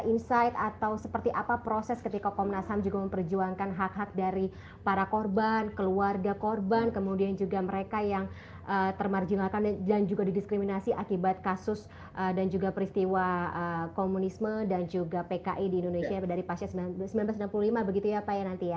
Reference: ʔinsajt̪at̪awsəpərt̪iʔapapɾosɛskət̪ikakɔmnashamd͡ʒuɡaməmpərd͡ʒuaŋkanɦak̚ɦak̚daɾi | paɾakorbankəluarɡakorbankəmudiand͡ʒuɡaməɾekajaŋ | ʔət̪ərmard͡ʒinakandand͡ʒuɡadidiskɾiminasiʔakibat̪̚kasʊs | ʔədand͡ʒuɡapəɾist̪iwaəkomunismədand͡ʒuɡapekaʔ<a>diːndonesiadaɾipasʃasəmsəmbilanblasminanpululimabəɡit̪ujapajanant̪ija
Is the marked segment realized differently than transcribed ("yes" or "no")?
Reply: yes